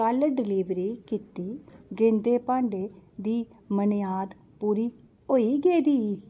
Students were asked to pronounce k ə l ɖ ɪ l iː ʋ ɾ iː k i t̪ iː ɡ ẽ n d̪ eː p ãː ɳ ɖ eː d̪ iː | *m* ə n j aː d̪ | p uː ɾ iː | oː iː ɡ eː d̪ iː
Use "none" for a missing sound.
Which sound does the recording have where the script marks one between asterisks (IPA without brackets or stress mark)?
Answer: m